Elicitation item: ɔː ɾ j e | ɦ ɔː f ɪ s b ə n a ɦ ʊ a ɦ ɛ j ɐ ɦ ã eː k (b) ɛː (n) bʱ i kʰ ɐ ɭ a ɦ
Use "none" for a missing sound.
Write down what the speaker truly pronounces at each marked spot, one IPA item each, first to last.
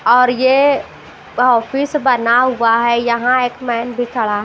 m, n

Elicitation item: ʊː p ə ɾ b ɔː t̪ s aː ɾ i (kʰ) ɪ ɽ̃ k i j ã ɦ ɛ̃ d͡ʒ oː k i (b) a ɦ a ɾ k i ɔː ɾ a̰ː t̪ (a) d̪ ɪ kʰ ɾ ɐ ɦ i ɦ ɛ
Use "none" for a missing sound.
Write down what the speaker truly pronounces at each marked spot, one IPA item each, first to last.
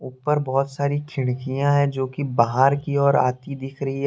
kʰ, b, i

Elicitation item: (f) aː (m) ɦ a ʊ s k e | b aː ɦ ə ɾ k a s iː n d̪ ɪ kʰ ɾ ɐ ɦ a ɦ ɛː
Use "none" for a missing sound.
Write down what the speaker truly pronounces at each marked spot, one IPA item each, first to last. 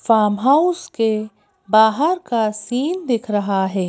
f, m

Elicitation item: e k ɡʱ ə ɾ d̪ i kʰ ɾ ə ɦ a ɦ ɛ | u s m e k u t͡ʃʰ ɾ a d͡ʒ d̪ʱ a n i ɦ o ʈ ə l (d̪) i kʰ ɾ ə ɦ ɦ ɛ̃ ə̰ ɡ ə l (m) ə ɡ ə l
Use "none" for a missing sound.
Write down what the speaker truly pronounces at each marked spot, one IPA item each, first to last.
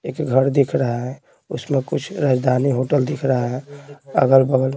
d̪, b

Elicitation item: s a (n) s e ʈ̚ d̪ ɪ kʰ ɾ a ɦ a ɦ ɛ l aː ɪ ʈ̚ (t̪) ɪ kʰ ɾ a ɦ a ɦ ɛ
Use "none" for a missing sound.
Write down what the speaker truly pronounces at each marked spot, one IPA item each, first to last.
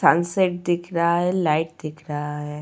n, d̪

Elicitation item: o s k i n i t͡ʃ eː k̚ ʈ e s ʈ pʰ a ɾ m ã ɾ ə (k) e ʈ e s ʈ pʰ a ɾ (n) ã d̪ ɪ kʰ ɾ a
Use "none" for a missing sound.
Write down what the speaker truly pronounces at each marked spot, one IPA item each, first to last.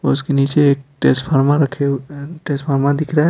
kʰ, m

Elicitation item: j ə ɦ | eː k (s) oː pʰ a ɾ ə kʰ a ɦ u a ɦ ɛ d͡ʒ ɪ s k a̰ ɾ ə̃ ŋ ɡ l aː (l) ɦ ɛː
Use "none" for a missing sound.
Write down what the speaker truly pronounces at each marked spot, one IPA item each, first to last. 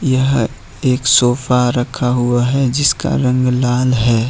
s, l

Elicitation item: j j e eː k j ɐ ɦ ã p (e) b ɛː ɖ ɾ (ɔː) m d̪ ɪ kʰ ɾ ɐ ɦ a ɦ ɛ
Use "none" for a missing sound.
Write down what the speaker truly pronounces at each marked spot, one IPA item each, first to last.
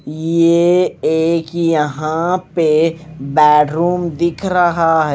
e, uː

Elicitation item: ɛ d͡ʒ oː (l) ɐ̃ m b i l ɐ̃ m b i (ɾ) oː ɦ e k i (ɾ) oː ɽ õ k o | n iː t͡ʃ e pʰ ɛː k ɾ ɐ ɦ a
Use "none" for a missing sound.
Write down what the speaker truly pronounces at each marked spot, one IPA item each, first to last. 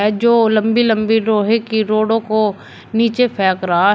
l, ɾ, ɾ

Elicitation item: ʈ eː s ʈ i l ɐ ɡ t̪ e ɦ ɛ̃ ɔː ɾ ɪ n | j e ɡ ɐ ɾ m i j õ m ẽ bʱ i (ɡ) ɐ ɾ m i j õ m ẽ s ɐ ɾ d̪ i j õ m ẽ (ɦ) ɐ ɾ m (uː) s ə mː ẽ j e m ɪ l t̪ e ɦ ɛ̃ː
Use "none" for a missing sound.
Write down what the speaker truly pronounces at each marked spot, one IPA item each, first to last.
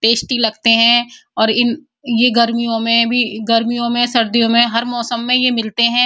ɡ, ɦ, ɔː

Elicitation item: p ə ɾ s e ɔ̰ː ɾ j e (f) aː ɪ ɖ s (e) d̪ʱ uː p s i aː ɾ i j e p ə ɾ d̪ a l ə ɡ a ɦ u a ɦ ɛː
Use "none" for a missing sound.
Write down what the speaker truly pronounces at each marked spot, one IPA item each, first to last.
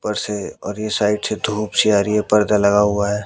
s, e

